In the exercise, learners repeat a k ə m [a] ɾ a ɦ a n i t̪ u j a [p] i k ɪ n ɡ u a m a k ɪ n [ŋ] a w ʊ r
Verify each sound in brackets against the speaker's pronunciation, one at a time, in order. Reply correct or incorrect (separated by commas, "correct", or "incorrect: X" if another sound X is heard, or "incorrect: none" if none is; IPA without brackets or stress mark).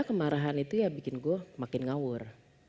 correct, incorrect: b, correct